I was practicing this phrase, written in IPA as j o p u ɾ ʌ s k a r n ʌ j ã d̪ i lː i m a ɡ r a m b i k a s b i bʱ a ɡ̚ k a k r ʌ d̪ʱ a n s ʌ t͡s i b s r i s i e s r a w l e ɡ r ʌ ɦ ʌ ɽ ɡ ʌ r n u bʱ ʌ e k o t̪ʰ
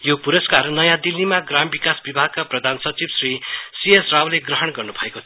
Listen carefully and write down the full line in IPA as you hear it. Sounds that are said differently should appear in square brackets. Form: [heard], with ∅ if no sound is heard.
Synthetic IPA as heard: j o p u ɾ ʌ s k a r n ʌ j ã d̪ i lː i m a ɡ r a m b i k a s b i bʱ a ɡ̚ k a [p] r ʌ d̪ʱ a n s ʌ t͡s i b s r i s i e s r a w l e ɡ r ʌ ɦ ʌ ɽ ɡ ʌ r n u bʱ ʌ e k o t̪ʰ

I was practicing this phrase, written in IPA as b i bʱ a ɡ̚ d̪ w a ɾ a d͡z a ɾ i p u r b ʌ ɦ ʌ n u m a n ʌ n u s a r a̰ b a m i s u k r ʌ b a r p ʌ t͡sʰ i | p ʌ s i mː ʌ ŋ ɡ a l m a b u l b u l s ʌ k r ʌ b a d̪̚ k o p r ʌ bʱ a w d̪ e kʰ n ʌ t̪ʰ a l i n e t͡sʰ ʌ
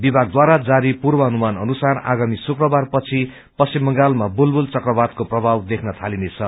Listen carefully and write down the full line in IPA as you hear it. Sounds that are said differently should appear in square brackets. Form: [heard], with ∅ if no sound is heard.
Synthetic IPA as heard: b i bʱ a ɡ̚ d̪ w a ɾ a d͡z a ɾ i p u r b ʌ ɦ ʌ n u m a n ʌ n u s a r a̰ [ɡ] a m i s u k r ʌ b a r p ʌ t͡sʰ i | p ʌ s i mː ʌ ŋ ɡ a l m a b u l b u l [t͡s] ʌ k r ʌ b a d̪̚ k o p r ʌ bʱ a w d̪ e kʰ n ʌ t̪ʰ a l i n e t͡sʰ ʌ

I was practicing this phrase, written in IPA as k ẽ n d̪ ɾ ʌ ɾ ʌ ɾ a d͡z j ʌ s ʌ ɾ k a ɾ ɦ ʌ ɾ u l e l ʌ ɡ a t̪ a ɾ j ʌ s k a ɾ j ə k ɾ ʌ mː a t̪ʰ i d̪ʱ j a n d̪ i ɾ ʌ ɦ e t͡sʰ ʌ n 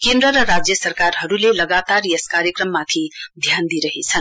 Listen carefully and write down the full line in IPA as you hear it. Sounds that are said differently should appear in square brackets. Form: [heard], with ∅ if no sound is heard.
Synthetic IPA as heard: k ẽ n d̪ ɾ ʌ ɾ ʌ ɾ a d͡z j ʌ s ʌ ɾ k a ɾ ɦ ʌ ɾ u l e l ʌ ɡ a t̪ a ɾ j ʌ s k a ɾ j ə k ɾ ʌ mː a t̪ʰ i d̪ʱ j a n d̪ i ɾ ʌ ɦ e t͡sʰ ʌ n

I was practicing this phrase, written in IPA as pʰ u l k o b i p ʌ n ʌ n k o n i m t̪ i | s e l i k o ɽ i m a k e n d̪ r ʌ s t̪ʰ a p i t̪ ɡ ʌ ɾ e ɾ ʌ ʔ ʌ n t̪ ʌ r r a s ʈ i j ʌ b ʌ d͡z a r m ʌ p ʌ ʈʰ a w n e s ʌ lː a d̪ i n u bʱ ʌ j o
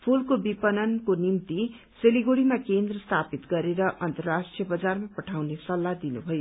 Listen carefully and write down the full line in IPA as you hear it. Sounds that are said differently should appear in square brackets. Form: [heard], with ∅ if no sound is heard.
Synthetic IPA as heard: pʰ u l k o b i p ʌ n ʌ n k o n i m t̪ i | s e l i [ɡ] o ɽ i m a k e n d̪ r ʌ s t̪ʰ a p i t̪ ɡ ʌ ɾ e ɾ ʌ ʔ ʌ n t̪ ʌ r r a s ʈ i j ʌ b ʌ d͡z a r m [a] p ʌ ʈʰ a w n e s ʌ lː a d̪ i n u bʱ ʌ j o

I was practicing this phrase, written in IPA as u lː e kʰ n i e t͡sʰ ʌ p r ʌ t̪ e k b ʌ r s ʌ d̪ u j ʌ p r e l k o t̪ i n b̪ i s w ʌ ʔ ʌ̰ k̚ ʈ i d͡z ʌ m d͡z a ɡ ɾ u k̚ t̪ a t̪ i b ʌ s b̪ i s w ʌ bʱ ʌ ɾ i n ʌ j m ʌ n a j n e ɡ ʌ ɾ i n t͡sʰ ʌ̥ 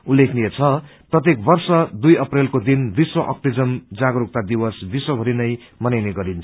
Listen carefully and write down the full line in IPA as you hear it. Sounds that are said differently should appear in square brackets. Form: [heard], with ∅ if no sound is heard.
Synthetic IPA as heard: u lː e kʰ n i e t͡sʰ ʌ p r ʌ t̪ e k b ʌ r s ʌ d̪ u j ʌ p r e l k o [d̪] i n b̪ i s w ʌ ʔ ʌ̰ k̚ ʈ i d͡z ʌ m d͡z a ɡ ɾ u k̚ t̪ a [d̪] i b ʌ s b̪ i s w ʌ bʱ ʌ ɾ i n ʌ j m ʌ n a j n e ɡ ʌ ɾ i n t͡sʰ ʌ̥

